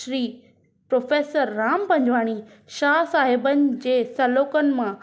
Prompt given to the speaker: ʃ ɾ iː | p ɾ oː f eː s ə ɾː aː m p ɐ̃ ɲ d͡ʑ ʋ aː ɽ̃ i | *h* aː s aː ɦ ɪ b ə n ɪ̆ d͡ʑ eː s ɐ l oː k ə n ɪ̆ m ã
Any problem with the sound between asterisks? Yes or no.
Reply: yes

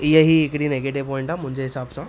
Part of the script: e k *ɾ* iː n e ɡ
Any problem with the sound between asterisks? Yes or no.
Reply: yes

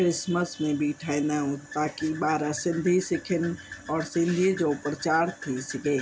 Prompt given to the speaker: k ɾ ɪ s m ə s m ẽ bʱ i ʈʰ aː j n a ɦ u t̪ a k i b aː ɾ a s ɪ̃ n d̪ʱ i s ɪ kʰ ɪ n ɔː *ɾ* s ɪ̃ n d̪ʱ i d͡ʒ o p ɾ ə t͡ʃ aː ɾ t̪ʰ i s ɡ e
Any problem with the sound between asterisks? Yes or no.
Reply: no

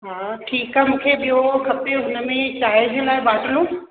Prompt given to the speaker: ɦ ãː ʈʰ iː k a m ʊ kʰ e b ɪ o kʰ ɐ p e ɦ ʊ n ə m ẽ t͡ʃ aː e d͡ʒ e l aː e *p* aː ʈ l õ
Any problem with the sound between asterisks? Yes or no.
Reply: yes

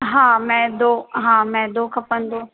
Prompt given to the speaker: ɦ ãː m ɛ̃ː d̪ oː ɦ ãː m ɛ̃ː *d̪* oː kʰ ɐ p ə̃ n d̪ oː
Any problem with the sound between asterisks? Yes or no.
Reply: no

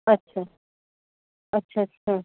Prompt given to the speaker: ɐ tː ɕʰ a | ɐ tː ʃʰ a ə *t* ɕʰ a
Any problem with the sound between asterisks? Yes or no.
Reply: no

